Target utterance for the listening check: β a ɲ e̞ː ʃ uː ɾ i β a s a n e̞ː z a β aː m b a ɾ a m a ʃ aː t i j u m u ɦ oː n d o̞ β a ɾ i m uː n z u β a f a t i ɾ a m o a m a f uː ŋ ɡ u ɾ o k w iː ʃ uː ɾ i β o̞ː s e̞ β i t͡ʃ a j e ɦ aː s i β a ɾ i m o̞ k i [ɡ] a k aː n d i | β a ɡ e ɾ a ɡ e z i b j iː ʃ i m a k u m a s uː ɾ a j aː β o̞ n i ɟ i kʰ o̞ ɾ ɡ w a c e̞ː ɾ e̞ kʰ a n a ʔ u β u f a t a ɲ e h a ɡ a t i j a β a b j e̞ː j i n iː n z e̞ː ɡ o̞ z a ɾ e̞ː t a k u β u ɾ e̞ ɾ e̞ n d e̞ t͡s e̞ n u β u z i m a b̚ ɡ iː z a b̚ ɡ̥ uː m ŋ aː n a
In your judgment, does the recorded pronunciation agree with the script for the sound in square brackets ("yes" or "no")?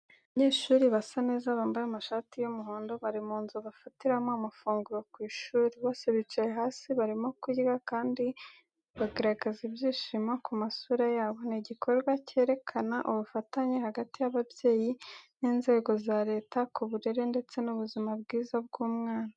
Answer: yes